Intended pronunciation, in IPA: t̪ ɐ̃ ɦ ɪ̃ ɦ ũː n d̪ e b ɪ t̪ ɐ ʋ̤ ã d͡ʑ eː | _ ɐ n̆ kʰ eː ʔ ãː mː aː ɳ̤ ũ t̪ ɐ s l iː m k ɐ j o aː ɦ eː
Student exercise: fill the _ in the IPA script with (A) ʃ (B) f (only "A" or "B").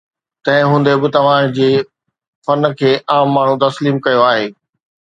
B